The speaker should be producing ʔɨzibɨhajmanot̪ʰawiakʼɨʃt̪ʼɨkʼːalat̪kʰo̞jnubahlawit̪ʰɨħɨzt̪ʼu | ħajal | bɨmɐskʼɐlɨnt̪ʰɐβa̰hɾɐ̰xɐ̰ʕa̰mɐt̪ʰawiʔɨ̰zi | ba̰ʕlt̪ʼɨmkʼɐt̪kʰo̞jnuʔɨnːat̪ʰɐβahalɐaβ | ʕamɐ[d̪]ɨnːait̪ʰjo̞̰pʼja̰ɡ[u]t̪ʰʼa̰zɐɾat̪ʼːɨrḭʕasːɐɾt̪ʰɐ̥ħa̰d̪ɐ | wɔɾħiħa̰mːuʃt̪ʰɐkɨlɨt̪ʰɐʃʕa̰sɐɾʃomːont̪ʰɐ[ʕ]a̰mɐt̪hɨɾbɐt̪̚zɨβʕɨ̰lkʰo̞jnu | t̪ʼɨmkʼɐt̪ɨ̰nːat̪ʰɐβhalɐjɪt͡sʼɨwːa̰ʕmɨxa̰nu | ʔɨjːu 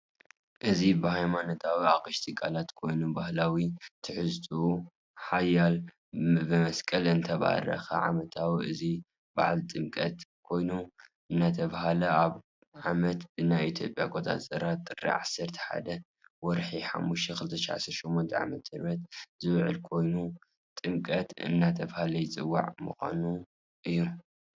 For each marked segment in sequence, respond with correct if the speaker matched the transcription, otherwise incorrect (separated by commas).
incorrect, incorrect, correct